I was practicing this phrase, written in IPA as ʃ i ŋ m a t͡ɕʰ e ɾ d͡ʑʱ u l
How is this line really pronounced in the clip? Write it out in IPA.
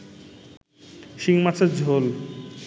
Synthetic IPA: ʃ i ŋ m a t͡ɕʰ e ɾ d͡ʑʱ o l